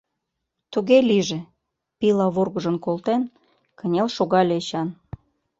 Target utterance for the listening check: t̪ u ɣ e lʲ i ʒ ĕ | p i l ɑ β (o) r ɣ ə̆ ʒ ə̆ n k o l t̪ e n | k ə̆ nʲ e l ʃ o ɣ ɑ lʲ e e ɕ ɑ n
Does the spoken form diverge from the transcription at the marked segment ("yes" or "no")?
no